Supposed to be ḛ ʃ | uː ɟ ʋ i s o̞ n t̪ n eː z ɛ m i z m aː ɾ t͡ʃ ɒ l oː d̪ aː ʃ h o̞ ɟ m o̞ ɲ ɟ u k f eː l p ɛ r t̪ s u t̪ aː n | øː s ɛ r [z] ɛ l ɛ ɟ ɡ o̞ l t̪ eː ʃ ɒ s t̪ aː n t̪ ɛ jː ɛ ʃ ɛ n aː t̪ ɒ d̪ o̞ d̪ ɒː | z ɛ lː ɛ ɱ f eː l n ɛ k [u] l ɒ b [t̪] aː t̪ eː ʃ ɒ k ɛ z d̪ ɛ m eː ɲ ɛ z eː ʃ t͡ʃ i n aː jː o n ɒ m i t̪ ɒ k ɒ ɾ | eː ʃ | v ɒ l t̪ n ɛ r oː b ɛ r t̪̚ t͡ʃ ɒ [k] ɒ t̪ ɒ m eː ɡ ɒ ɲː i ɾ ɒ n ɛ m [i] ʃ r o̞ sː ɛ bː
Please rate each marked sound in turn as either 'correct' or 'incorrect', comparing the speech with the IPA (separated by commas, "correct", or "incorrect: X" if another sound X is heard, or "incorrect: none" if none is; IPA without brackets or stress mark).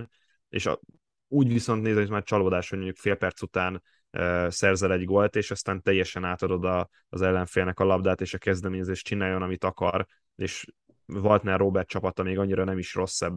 correct, incorrect: ɒ, incorrect: d̪, incorrect: p, correct